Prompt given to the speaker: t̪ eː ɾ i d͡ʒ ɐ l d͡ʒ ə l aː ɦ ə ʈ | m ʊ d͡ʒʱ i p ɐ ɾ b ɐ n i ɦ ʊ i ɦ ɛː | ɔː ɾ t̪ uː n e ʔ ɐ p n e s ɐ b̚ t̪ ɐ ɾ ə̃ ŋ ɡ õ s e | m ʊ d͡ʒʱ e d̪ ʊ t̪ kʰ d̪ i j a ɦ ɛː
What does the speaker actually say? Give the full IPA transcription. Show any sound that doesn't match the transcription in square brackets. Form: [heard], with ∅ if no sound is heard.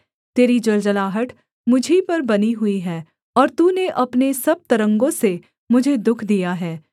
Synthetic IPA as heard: t̪ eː ɾ i d͡ʒ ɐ l d͡ʒ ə l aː ɦ ə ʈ | m ʊ d͡ʒʱ i p ɐ ɾ b ɐ n i ɦ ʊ i ɦ ɛː | ɔː ɾ t̪ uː n e ʔ ɐ p n e s ɐ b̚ t̪ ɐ ɾ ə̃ ŋ ɡ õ s e | m ʊ d͡ʒʱ e d̪ ʊ [∅] kʰ d̪ i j a ɦ ɛː